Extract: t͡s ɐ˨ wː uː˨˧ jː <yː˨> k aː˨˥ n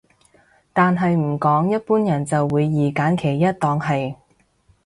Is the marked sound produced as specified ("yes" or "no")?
no